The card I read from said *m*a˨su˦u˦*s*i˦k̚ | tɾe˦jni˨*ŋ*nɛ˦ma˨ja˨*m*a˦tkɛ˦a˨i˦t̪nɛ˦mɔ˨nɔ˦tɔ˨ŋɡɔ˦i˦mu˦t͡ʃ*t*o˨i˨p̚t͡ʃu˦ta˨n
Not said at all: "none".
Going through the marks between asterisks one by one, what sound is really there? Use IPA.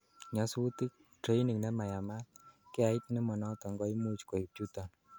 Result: ɲ, t, ŋ, m, k

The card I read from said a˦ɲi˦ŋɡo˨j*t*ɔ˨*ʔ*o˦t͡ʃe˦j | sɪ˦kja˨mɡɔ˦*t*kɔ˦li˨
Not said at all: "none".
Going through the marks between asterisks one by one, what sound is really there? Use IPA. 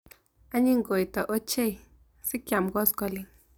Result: t, ʔ, s

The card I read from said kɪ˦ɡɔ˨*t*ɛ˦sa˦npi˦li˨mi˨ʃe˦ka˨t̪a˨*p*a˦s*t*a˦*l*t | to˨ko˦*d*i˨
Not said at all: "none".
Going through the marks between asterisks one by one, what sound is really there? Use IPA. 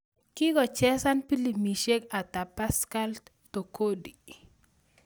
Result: t͡ʃ, p, k, l, d

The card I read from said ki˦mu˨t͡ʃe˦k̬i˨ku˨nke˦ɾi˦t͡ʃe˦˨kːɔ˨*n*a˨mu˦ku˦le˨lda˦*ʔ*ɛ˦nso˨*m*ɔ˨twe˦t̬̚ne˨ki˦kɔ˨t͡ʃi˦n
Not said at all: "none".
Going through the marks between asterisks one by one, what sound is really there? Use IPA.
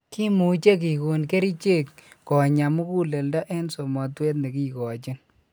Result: ɲ, ʔ, m

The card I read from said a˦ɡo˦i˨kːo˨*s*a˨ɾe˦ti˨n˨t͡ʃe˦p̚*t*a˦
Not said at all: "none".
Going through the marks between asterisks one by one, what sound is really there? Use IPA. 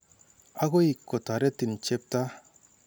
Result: t, t

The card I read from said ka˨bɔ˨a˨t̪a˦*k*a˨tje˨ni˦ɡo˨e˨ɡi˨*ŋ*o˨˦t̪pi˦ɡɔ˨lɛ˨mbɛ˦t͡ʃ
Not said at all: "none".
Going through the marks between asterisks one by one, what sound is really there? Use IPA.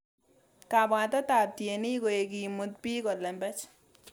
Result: t, m

